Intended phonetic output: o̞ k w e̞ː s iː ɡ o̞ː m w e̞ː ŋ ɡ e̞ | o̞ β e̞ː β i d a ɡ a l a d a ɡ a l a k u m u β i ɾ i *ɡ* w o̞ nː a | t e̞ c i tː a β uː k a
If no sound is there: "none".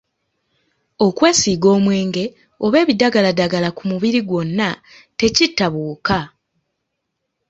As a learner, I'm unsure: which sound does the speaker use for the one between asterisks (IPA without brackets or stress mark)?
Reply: ɡ